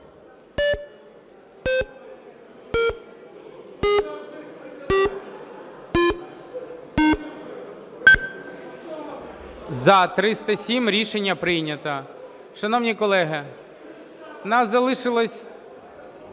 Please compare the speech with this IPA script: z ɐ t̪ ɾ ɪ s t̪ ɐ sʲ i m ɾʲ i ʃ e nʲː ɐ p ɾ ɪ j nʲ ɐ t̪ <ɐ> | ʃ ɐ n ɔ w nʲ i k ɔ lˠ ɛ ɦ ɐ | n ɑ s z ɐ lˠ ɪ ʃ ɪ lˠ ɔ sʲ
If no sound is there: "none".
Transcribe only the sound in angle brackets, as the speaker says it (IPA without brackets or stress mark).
ɐ